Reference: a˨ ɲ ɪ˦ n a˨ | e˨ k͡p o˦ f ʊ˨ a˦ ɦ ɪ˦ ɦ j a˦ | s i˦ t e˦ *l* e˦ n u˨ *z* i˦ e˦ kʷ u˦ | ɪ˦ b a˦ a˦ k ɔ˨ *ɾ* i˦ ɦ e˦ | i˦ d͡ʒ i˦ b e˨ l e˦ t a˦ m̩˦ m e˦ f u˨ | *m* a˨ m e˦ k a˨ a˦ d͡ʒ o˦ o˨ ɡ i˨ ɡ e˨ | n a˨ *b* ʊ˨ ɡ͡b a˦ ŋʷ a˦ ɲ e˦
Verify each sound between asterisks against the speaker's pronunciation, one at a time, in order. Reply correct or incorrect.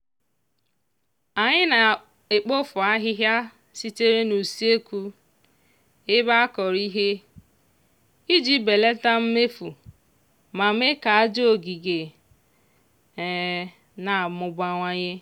incorrect, incorrect, correct, correct, incorrect

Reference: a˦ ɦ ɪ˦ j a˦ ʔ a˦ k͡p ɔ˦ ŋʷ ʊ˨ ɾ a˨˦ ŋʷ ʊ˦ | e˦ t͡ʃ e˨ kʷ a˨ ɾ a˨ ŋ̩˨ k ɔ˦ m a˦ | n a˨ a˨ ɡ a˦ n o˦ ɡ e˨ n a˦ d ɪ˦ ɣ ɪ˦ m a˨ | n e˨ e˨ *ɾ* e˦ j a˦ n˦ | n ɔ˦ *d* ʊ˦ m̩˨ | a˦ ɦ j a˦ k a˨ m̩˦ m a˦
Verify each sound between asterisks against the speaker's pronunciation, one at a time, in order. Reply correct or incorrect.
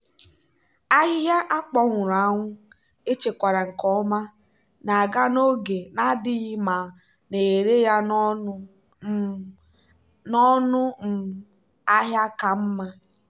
correct, incorrect

